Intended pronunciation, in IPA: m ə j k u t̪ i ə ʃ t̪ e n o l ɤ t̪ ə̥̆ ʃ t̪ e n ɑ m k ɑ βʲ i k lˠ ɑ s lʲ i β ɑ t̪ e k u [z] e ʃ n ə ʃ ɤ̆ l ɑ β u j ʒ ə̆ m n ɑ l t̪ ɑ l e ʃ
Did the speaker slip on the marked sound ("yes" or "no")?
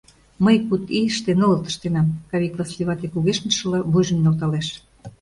yes